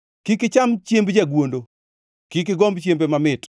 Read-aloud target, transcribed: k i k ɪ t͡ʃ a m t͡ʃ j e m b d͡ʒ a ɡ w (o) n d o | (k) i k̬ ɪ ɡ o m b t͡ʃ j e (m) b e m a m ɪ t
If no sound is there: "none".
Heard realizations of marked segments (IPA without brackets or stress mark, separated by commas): o, k, m